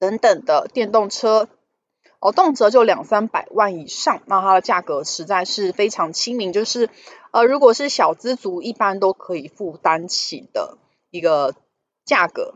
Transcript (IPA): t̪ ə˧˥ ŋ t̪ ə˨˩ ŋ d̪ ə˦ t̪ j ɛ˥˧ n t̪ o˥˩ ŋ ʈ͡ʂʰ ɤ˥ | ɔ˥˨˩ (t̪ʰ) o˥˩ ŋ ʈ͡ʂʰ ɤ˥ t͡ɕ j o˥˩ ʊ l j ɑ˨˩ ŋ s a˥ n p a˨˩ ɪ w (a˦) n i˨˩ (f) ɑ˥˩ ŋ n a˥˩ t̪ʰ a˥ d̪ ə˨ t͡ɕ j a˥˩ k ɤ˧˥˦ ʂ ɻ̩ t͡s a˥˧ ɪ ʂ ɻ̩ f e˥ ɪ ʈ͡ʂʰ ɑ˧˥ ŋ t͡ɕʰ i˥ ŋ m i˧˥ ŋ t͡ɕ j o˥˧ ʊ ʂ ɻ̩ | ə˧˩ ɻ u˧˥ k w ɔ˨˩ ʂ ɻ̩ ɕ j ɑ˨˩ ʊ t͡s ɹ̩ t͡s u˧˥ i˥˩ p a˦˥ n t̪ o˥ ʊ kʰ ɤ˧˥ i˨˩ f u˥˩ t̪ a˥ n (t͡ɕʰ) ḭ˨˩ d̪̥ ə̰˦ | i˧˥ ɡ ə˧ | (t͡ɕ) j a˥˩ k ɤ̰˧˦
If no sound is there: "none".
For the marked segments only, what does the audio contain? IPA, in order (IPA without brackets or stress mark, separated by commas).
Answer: t̪, a˥˩, ʂ, t͡ɕʰ, t͡ɕ